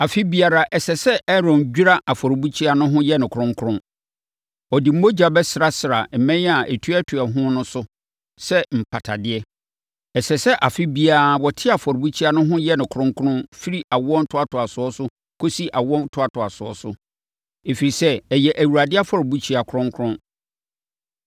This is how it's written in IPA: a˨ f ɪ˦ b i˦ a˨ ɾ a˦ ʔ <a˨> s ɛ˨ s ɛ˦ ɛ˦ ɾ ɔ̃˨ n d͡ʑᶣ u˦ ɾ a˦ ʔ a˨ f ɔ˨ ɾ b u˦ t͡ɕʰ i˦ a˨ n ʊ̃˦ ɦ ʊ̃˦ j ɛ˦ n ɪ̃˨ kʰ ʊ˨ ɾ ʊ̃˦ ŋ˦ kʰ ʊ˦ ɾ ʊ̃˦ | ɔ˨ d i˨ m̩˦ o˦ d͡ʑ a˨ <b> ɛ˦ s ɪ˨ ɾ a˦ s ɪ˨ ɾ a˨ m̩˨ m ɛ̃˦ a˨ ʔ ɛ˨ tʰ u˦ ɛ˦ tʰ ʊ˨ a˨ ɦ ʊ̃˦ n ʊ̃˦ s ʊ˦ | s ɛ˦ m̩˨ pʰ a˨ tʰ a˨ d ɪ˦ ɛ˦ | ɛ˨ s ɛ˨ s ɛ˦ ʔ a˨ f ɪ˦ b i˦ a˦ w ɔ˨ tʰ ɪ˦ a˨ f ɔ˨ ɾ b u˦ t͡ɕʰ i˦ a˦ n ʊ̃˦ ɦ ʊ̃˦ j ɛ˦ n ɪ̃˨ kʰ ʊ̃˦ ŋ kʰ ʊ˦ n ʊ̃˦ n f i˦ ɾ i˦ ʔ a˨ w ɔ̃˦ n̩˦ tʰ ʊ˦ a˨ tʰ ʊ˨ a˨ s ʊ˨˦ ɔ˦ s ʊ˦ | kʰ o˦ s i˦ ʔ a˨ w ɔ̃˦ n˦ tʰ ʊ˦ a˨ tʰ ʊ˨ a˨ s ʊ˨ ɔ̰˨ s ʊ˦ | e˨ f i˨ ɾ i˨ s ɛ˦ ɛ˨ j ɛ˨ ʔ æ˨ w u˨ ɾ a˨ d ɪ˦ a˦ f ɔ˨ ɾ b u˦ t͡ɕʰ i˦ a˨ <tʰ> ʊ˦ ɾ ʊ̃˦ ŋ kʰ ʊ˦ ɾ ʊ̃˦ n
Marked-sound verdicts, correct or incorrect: incorrect: ɛ˨, correct, incorrect: kʰ

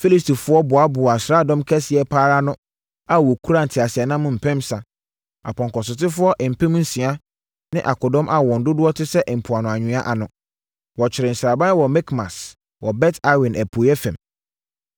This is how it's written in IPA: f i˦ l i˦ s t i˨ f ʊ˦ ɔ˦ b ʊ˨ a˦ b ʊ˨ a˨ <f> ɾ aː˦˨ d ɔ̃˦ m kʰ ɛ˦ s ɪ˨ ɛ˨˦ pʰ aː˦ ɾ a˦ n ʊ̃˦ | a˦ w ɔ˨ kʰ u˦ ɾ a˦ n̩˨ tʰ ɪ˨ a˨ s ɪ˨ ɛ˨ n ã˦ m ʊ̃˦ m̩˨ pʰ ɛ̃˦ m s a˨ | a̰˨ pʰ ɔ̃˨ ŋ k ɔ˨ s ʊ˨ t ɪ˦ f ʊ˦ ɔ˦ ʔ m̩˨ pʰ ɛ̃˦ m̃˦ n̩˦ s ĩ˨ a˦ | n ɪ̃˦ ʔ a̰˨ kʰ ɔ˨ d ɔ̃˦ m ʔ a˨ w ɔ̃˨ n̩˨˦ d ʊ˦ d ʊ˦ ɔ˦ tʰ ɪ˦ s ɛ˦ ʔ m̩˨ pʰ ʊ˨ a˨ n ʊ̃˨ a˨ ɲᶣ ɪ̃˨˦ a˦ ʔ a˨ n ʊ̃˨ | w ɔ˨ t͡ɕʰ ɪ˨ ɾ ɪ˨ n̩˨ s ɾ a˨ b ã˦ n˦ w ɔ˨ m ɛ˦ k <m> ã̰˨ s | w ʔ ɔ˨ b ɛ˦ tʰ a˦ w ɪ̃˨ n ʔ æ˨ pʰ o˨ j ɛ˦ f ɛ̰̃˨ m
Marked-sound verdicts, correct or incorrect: incorrect: s, correct

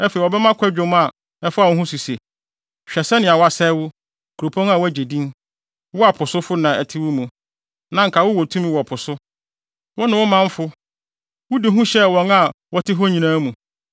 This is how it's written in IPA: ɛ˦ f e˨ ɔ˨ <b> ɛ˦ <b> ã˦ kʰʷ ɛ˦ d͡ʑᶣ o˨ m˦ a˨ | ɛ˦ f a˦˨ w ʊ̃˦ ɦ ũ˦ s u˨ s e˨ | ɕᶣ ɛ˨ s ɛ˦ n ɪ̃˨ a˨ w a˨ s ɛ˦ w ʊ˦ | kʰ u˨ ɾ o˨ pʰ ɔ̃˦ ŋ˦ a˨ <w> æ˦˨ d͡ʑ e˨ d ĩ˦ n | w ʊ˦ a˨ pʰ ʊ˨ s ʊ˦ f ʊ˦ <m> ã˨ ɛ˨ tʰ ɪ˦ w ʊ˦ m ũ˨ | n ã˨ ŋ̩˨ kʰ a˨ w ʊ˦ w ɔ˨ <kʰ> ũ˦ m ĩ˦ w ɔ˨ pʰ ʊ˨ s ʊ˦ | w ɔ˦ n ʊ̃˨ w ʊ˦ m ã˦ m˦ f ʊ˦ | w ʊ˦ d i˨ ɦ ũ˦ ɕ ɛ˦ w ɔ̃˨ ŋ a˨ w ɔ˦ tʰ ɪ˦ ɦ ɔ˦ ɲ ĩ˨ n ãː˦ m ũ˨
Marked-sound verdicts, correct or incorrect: correct, incorrect: m, correct, incorrect: n, incorrect: tʰ

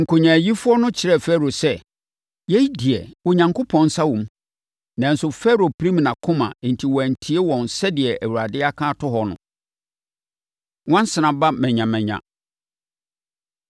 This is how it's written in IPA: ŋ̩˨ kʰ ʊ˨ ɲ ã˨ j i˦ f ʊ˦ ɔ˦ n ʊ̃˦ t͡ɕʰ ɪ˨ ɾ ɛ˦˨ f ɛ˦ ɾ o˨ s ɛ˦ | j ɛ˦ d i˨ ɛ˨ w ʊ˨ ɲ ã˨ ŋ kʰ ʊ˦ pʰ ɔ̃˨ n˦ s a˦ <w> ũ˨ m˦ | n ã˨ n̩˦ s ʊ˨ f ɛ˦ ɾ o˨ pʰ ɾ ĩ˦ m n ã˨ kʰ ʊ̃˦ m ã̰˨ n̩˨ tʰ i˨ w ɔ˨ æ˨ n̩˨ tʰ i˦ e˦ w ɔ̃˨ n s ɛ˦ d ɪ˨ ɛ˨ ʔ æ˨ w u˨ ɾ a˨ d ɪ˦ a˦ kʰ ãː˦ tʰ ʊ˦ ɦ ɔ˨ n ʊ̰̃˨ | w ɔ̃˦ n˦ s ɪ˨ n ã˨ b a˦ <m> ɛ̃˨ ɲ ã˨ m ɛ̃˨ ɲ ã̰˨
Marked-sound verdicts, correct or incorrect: correct, correct

